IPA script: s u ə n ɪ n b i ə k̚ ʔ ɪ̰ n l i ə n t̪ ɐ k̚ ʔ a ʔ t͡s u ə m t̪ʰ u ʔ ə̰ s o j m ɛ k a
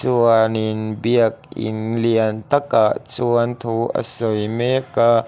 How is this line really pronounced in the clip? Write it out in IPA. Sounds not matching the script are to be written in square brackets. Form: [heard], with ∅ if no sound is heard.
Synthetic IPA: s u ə n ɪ n b i ə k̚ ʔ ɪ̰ n l i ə n t̪ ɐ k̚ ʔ a ʔ t͡s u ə [n] t̪ʰ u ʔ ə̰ s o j m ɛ k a